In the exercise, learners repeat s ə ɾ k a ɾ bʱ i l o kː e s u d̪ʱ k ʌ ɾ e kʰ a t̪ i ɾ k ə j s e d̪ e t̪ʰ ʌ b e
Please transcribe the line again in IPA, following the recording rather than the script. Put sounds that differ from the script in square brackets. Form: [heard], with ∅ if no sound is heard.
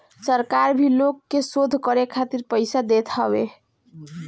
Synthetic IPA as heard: s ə ɾ k a ɾ bʱ i l o kː e s [o] d̪ʱ k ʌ ɾ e kʰ a t̪ i ɾ [p] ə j s [a] d̪ e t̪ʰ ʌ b e